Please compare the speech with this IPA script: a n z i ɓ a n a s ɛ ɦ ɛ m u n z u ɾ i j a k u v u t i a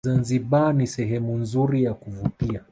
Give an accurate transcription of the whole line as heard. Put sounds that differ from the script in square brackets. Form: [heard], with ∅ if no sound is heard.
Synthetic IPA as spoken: a n z i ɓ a n [i] s ɛ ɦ ɛ m u n z u ɾ i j a k u v u t i a